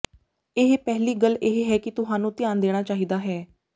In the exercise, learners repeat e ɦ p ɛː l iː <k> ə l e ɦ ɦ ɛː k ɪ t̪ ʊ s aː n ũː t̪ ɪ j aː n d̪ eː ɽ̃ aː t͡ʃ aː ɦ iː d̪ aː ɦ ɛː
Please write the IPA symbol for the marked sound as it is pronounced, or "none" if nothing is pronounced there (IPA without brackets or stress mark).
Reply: ɡ